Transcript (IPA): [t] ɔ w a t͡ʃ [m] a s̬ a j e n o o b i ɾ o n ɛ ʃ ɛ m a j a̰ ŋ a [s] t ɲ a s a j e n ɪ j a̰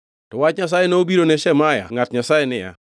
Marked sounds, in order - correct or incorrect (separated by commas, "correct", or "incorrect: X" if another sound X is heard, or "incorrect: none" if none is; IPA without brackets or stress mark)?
correct, incorrect: ɲ, incorrect: none